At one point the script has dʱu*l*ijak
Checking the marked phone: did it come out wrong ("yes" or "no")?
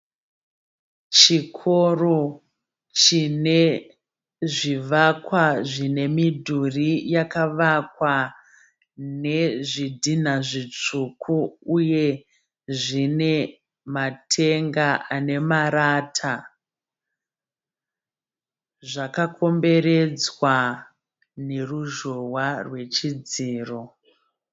yes